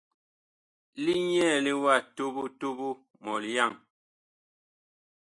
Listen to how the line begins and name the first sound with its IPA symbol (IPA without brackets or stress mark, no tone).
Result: l